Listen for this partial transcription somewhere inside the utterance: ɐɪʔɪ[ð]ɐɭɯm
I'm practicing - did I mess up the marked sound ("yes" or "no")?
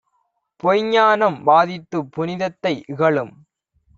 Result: yes